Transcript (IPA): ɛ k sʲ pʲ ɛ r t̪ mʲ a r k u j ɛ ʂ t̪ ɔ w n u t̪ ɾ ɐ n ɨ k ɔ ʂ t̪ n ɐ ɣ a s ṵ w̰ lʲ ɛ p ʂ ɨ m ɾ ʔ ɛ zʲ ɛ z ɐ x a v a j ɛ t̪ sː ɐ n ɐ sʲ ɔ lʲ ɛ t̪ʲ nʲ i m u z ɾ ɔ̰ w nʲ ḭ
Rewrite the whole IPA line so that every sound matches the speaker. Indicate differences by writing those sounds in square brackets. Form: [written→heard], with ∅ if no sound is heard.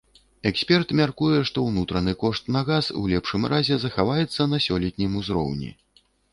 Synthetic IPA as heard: ɛ k sʲ pʲ ɛ r t̪ mʲ a r k u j ɛ ʂ t̪ ɔ w n u t̪ ɾ ɐ n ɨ k ɔ ʂ t̪ n ɐ ɣ a s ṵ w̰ lʲ ɛ p ʂ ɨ m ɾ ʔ [ɛ→a] zʲ ɛ z ɐ x a v a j ɛ t̪ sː ɐ n ɐ sʲ ɔ lʲ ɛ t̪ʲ nʲ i m u z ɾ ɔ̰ w nʲ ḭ